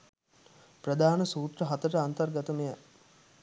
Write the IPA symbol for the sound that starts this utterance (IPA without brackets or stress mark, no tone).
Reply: p